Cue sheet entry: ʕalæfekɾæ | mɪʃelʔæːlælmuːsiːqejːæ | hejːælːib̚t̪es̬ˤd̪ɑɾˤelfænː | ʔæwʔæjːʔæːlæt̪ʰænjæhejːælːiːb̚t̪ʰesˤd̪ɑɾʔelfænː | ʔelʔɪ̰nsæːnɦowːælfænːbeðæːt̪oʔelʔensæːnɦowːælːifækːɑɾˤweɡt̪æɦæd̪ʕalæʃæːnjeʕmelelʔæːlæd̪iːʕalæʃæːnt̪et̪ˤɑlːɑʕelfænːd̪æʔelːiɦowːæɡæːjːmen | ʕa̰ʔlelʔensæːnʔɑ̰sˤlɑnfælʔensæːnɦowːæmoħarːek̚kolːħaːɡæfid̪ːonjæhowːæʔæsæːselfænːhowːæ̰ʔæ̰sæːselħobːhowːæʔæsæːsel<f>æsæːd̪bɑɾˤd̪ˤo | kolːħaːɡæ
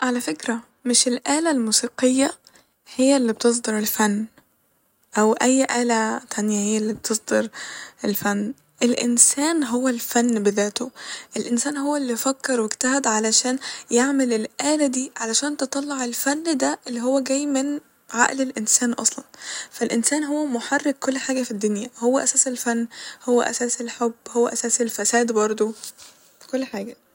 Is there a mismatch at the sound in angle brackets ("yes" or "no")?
no